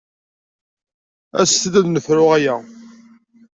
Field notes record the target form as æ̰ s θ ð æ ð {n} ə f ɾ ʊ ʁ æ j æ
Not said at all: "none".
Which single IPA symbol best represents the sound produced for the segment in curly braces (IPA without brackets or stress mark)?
n